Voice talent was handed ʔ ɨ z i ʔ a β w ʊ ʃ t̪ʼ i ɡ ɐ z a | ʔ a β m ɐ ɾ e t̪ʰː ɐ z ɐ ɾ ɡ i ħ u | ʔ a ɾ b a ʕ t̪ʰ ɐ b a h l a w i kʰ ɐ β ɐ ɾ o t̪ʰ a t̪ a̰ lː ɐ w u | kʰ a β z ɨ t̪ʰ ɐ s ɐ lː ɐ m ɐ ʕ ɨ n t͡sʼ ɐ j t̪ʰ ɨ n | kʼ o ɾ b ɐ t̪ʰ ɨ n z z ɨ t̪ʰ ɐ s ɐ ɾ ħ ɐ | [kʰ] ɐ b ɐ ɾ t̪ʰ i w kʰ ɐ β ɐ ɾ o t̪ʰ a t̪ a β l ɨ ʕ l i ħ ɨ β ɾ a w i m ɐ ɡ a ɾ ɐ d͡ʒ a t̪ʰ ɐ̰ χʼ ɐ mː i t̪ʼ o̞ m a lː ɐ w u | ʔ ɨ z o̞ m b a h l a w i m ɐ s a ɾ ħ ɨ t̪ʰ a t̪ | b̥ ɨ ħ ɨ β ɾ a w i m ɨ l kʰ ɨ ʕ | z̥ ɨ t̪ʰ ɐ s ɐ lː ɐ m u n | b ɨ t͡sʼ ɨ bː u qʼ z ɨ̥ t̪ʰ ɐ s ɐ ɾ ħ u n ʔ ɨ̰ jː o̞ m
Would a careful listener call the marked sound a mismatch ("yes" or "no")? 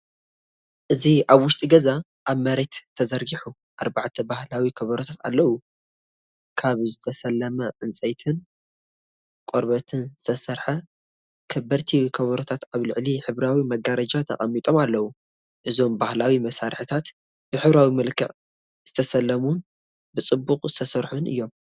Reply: no